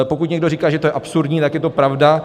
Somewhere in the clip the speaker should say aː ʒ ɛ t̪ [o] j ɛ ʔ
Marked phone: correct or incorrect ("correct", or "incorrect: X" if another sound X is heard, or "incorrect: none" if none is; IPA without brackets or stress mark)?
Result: correct